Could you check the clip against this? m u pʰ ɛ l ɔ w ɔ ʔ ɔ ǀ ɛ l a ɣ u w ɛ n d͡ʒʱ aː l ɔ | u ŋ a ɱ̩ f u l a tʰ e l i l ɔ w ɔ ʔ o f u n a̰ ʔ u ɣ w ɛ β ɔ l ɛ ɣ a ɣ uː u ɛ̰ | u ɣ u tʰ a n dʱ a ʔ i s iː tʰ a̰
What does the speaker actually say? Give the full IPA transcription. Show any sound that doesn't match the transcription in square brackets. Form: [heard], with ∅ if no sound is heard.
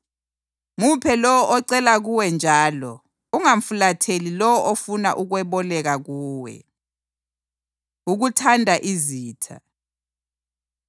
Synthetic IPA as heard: m u pʰ ɛ l ɔ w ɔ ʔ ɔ ǀ ɛ l a ɣ u w ɛ n d͡ʒʱ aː l ɔ | u ŋ a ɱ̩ f u l a tʰ e l i l ɔ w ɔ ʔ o f u n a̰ ʔ u ɣ w ɛ β ɔ l ɛ ɣ a ɣ uː [w] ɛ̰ | u ɣ u tʰ a n dʱ a ʔ i [z] iː tʰ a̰